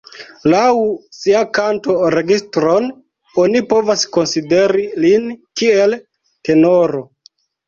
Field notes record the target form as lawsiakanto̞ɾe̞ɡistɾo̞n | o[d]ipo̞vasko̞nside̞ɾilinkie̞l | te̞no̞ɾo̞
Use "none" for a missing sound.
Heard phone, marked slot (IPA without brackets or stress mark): n